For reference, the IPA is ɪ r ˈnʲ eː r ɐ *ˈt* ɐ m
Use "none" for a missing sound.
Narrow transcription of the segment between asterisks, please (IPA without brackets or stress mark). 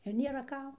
k